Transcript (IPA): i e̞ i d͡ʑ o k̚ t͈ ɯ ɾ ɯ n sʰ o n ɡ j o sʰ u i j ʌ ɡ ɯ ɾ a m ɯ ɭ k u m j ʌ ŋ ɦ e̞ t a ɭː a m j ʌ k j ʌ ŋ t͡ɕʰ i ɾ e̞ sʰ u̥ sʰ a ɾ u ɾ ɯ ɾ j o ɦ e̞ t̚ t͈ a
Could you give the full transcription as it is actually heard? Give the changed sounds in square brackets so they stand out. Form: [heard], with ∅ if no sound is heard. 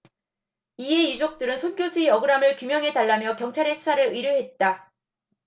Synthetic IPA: i e̞ i d͡ʑ o k̚ t͈ ɯ ɾ ɯ n sʰ o n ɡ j o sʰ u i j ʌ ɡ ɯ ɾ a m ɯ ɭ k u m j ʌ ŋ ɦ e̞ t a ɭː a m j ʌ k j ʌ ŋ t͡ɕʰ [a] ɾ e̞ sʰ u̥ sʰ a ɾ [ɯ] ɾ ɯ ɾ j o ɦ e̞ t̚ t͈ a